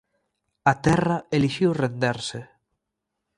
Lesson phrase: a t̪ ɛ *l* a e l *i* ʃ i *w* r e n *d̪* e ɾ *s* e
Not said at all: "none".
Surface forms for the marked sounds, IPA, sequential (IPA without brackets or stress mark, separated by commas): r, i, w, d̪, s